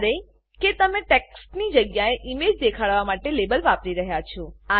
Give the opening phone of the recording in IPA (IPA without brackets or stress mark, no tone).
ɾ